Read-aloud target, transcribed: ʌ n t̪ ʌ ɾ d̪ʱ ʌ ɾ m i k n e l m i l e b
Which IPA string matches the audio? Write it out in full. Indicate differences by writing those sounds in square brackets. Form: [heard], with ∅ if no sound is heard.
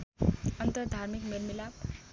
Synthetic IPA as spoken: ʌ n t̪ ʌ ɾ d̪ʱ [a] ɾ m i k [m] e l m i l [a] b